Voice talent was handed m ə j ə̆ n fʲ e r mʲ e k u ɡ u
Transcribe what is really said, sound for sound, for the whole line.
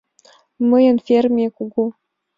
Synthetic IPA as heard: m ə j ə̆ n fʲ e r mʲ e k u ɡ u